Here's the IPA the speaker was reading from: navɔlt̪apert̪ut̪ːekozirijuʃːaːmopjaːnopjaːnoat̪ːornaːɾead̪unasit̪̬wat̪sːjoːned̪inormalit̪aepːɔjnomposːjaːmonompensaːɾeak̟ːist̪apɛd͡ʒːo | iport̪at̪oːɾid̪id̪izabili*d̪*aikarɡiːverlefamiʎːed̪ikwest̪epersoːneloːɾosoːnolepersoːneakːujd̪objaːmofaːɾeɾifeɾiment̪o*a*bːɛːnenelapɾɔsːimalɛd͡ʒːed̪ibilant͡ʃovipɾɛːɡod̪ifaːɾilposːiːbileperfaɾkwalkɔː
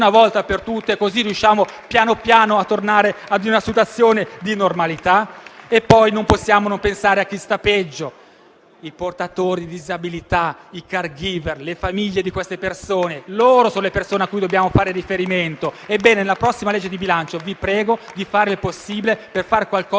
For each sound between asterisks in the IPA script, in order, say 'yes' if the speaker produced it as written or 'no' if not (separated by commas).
no, no